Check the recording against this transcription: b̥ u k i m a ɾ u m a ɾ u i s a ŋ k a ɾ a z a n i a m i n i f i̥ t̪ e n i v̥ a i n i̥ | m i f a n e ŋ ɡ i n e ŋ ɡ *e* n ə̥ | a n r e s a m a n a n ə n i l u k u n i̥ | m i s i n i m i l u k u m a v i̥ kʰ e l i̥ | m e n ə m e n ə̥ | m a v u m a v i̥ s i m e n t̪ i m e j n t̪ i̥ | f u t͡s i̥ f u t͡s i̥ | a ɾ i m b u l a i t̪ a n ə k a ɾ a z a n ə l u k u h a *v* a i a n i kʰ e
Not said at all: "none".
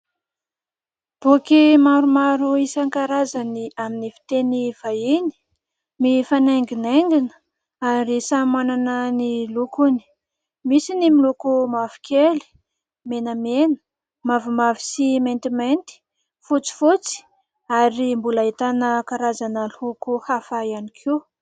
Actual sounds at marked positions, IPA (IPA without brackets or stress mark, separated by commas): i, f